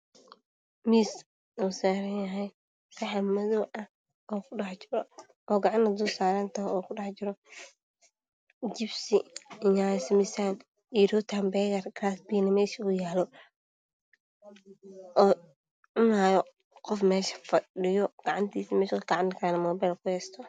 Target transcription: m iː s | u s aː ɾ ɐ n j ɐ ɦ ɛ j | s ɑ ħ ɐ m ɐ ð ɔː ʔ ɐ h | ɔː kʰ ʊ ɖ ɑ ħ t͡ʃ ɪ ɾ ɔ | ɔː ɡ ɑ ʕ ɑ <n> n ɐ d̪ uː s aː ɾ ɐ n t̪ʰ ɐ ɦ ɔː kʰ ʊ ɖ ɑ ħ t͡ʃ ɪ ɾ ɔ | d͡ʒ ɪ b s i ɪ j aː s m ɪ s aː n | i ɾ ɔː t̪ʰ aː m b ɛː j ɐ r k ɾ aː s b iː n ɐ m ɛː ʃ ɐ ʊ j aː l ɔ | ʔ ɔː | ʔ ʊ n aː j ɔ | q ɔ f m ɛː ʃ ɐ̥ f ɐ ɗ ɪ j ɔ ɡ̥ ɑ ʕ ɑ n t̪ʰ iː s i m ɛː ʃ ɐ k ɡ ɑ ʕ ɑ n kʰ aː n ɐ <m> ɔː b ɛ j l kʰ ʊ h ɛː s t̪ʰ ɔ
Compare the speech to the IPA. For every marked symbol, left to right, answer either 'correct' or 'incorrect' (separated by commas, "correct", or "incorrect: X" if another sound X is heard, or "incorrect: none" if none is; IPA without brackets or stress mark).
correct, correct